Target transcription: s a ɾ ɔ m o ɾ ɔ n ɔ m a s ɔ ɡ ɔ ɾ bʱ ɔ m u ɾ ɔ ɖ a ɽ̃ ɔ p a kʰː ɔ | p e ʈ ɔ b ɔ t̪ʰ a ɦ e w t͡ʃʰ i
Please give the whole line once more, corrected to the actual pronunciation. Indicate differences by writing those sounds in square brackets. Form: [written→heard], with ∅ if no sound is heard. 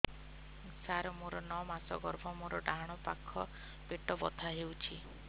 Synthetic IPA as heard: s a ɾ ɔ m o ɾ ɔ n ɔ m a s ɔ ɡ ɔ ɾ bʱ ɔ m [u→o] ɾ ɔ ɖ a ɽ̃ ɔ p a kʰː ɔ | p e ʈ ɔ b ɔ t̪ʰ a ɦ e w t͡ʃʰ i

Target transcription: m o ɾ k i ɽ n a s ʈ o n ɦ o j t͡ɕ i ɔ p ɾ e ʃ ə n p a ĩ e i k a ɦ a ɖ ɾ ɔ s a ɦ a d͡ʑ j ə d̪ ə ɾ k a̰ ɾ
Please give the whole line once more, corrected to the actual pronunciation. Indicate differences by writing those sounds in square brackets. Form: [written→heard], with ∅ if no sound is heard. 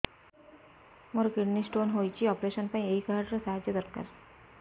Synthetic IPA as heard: m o ɾ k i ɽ n [a→i] s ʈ o n ɦ o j t͡ɕ i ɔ p ɾ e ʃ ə n p a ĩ e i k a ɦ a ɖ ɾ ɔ s a ɦ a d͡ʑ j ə d̪ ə ɾ k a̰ ɾ

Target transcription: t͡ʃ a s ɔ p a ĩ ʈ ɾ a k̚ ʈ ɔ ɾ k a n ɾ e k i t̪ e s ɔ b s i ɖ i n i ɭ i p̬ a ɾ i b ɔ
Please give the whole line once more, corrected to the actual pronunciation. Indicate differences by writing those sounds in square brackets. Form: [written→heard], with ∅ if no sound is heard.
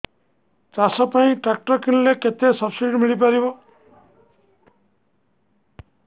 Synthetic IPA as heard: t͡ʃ a s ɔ p a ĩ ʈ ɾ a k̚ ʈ ɔ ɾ k [a→i] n [ɾ→l] e k [i→e] t̪ e s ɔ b s i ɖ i [n→m] i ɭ i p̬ a ɾ i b ɔ

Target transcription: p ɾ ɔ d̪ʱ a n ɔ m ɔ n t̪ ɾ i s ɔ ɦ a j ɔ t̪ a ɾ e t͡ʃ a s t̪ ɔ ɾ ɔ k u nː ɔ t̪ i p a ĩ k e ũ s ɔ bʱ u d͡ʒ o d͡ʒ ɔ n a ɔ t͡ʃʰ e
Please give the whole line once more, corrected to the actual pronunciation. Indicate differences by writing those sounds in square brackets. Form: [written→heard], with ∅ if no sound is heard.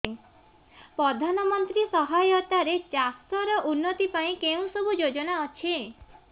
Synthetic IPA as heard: p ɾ ɔ d̪ʱ a n ɔ m ɔ n t̪ ɾ i s ɔ ɦ a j ɔ t̪ a ɾ e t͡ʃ a s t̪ ɔ ɾ ɔ [k→ʔ] u nː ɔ t̪ i p a ĩ k e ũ s ɔ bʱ u d͡ʒ o d͡ʒ ɔ n a ɔ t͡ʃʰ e

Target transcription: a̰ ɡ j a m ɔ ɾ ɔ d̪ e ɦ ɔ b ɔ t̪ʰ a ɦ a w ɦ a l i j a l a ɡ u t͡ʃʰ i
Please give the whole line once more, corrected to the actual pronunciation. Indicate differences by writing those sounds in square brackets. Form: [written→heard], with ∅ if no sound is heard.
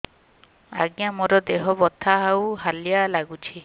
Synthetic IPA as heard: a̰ ɡ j a m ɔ ɾ ɔ d̪ e ɦ ɔ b ɔ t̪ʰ a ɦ a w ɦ a l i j a l a ɡ u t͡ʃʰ i

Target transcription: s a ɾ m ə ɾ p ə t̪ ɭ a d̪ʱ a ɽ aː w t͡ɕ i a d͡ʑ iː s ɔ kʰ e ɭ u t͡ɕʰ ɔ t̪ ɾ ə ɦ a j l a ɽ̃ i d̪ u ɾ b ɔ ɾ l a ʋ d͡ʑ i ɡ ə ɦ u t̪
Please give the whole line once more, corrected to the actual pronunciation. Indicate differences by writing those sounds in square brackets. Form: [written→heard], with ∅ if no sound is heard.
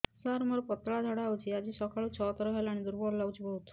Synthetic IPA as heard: s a ɾ m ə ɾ p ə t̪ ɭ a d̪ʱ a ɽ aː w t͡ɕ i a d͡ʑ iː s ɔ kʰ [e→a] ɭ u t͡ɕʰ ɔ t̪ ɾ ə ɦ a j l a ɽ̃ i d̪ u ɾ b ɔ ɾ l a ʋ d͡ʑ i [ɡ→b] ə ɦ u t̪

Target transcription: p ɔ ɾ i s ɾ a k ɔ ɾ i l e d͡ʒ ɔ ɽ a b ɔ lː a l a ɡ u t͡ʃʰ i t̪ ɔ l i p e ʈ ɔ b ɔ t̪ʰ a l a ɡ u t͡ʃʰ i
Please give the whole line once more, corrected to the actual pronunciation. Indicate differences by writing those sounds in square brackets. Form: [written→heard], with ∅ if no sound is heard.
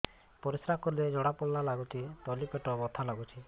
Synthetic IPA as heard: p ɔ ɾ i s ɾ a k ɔ ɾ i l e d͡ʒ ɔ ɽ a [b→p] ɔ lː a l a ɡ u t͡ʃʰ i t̪ ɔ l i p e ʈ ɔ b ɔ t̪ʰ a l a ɡ u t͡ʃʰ i

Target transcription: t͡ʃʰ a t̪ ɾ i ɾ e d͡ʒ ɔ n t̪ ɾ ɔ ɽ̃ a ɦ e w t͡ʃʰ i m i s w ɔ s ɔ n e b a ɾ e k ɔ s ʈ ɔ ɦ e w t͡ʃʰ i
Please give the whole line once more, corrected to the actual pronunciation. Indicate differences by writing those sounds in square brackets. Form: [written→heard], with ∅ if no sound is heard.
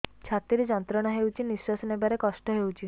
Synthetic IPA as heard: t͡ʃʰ a t̪ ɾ i ɾ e d͡ʒ ɔ n t̪ ɾ ɔ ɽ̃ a ɦ e w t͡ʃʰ i [m→n] i s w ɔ s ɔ n e b a ɾ e k ɔ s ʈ ɔ ɦ e w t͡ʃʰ i

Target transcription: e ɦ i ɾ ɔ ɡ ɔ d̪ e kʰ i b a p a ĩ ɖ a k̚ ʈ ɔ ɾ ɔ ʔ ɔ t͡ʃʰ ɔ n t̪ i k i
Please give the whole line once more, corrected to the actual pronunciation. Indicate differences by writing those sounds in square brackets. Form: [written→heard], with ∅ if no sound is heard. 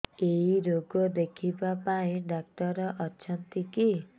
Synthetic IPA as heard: e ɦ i ɾ [ɔ→o] ɡ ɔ d̪ e kʰ i b a p a ĩ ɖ a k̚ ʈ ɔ ɾ ɔ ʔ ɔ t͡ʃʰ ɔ n t̪ i k i

